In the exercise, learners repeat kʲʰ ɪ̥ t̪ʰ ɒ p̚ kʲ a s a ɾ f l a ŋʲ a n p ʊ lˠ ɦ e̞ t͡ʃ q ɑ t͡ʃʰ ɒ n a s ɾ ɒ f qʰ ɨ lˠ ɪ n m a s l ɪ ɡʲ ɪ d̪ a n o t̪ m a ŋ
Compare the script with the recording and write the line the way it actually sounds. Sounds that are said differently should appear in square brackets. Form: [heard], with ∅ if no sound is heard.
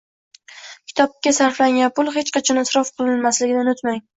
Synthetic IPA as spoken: kʲʰ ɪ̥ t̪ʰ ɒ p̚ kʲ a s a ɾ f l a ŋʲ a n p ʊ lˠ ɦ e̞ t͡ʃ q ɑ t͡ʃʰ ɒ n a s ɾ ɒ f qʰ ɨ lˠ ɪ n m a s l ɪ ɡʲ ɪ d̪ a n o t̪ m a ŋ